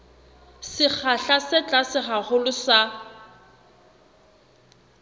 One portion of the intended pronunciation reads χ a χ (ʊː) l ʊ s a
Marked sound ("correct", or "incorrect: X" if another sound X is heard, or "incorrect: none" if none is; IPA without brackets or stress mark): incorrect: ʊ